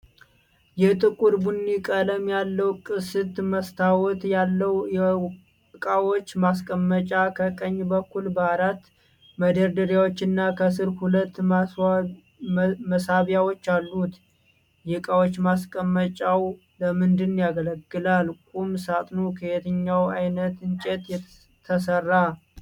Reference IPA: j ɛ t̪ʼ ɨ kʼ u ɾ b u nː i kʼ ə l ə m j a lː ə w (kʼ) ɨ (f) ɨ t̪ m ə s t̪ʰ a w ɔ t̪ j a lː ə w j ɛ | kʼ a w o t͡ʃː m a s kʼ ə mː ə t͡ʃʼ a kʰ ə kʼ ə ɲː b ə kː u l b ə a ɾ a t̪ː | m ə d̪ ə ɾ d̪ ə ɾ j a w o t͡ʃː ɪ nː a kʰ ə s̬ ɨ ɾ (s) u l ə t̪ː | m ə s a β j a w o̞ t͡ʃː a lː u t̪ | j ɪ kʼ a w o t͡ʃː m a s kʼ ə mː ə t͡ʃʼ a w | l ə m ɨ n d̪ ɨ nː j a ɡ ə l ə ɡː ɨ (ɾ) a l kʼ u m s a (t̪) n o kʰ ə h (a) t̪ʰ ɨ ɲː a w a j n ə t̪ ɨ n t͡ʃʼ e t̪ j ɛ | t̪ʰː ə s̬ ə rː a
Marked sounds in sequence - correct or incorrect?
correct, incorrect: s, incorrect: h, incorrect: l, incorrect: t̪ʼ, incorrect: e

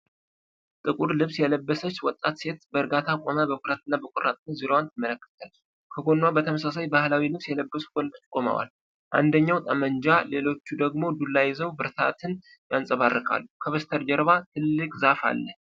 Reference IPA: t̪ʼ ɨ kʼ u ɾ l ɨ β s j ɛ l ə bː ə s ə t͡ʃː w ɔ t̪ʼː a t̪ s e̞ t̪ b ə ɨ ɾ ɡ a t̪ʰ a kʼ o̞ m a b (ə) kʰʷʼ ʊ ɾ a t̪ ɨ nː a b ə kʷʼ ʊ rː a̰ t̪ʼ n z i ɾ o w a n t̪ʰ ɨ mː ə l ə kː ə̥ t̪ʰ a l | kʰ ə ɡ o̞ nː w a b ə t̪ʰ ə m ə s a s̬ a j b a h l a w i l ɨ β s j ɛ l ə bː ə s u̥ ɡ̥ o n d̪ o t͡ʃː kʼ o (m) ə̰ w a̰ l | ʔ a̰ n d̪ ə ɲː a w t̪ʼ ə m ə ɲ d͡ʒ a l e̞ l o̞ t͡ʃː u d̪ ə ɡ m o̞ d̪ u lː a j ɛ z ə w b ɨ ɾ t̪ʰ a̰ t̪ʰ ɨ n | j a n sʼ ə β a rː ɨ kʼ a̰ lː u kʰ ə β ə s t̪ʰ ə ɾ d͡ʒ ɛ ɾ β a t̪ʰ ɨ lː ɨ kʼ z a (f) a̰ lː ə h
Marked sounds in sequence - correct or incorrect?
correct, correct, correct

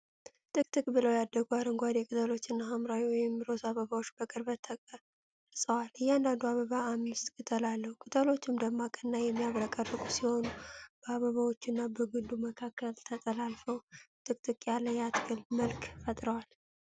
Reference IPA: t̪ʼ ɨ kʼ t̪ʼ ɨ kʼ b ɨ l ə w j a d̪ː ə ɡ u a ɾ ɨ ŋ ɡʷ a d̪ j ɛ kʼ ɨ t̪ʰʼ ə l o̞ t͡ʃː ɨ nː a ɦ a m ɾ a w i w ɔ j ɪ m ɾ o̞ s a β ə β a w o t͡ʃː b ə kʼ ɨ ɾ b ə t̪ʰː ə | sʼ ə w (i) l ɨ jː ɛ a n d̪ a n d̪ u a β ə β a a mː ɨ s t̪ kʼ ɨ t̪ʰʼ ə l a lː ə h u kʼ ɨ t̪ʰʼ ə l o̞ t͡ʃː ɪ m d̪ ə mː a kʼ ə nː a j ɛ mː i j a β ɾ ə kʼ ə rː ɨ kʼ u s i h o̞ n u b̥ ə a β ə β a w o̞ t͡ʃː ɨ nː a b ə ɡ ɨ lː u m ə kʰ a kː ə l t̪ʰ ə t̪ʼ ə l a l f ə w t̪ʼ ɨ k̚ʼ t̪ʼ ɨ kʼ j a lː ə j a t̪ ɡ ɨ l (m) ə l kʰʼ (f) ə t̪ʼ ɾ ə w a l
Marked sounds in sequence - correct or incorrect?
incorrect: a, correct, correct

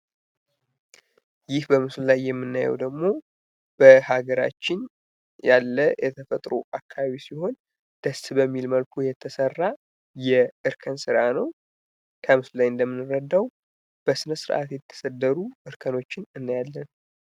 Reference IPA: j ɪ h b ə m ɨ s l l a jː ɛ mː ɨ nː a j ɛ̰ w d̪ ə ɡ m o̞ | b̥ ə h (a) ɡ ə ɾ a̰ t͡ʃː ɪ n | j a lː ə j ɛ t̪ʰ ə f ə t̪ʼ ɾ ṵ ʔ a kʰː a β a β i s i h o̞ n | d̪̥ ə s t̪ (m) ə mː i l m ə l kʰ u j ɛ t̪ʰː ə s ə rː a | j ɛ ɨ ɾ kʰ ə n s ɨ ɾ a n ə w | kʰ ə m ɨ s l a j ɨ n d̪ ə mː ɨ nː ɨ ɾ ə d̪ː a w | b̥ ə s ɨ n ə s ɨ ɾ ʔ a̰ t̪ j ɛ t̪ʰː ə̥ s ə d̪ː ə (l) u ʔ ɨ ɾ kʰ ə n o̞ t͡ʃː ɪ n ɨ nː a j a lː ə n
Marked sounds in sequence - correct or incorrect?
correct, incorrect: b, incorrect: ɾ

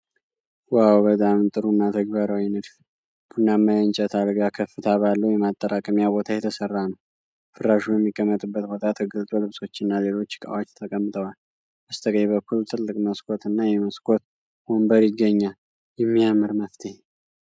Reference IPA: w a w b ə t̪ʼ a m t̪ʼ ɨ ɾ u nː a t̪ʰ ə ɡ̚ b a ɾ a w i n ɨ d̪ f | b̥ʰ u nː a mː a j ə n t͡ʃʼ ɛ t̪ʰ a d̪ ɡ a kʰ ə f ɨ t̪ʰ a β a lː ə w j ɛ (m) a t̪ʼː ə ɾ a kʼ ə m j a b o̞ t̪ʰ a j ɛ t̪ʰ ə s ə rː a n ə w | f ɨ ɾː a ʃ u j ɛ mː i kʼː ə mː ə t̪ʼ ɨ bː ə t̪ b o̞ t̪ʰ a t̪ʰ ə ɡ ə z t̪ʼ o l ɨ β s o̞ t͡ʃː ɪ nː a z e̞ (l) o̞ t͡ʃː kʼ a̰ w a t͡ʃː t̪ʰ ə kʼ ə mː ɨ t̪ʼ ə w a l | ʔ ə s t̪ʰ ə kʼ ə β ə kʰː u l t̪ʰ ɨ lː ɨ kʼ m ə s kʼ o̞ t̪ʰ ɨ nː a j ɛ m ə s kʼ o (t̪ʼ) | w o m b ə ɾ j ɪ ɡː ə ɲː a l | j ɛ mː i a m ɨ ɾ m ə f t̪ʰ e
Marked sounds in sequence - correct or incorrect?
correct, correct, incorrect: t̪

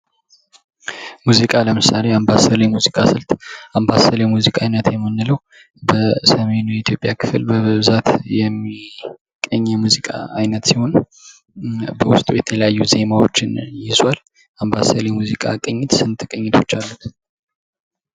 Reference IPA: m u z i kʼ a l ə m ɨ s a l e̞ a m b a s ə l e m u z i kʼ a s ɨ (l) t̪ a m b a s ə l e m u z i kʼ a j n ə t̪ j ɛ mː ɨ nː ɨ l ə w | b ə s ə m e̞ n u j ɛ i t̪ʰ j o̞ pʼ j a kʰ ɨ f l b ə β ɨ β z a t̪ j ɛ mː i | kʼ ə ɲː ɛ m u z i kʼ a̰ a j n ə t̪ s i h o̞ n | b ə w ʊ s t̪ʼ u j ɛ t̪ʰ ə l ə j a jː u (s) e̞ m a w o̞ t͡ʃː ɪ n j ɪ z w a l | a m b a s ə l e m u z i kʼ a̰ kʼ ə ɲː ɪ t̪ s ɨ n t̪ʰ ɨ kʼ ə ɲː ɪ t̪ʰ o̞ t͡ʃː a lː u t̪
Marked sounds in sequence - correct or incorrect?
correct, incorrect: z

